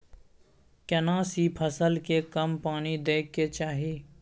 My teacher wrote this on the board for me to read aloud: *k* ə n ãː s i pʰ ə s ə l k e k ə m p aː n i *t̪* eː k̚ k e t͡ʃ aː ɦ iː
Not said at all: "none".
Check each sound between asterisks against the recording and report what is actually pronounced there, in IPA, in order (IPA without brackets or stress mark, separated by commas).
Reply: k, d̪